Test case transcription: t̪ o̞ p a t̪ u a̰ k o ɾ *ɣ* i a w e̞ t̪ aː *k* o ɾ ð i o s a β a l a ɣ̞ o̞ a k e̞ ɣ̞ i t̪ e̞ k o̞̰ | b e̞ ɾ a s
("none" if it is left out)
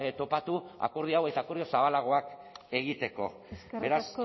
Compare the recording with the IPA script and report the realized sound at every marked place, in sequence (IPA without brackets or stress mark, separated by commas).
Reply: ð, k